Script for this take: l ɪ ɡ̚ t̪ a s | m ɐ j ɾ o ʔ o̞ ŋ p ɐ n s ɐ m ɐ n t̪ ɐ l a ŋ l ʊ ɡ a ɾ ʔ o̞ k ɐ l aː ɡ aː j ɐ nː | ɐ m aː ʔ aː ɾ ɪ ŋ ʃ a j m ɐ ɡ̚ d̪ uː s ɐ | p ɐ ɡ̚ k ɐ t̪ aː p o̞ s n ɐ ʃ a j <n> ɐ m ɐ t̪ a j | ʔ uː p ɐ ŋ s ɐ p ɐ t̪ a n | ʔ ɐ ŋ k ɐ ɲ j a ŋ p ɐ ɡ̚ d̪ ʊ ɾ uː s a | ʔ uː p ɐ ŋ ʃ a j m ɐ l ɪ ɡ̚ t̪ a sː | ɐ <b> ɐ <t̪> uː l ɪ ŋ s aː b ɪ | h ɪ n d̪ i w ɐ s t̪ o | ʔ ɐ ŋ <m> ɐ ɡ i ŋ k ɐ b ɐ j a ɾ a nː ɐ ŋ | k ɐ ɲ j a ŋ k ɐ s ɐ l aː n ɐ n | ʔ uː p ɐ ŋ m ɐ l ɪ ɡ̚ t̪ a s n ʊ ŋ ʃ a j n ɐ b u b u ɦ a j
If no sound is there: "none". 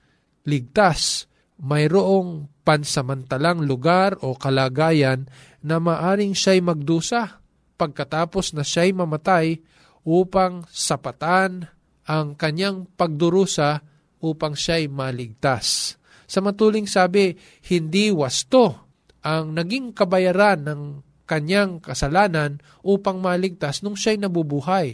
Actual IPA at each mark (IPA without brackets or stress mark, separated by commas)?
m, m, t̪, n